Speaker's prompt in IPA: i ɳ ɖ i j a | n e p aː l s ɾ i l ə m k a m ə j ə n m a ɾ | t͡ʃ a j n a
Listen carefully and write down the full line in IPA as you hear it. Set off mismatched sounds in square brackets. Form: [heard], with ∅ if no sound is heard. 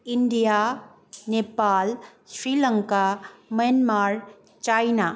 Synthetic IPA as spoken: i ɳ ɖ i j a | n e p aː l s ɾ i l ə [ŋ] k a m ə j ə n m a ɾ | t͡ʃ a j n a